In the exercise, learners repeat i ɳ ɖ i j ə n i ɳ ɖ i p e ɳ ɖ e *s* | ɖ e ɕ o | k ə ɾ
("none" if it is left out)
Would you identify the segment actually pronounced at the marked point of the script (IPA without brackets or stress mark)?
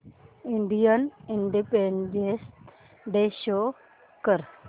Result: s